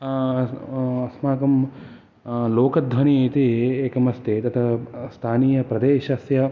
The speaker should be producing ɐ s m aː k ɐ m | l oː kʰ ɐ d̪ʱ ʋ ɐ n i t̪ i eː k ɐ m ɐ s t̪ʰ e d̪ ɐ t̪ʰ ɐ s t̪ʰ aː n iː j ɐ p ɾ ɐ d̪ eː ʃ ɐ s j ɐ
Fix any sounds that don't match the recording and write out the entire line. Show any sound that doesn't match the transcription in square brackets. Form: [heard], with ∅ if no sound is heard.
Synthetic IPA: ɐ s m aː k ɐ m | l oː [k] ɐ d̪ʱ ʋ ɐ n i t̪ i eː k ɐ m ɐ s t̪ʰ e [t̪] ɐ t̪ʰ ɐ s t̪ʰ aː n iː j ɐ p ɾ ɐ d̪ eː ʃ ɐ s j ɐ